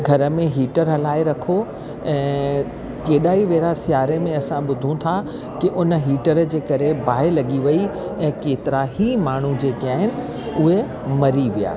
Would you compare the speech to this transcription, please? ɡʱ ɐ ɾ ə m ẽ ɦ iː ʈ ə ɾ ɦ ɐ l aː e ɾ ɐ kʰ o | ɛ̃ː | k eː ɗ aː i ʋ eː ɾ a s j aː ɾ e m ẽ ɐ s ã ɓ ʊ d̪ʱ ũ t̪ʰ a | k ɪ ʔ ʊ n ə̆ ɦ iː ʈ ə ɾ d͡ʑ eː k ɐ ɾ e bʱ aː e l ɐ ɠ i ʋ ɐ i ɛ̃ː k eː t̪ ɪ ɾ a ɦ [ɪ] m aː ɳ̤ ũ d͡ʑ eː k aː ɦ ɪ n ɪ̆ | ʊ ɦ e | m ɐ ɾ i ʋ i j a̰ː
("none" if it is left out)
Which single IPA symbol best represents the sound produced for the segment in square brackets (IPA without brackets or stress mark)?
i